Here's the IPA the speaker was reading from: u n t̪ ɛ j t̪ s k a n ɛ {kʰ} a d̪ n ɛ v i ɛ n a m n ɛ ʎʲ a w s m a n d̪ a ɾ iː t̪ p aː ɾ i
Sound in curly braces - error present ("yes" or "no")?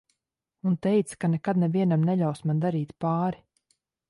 yes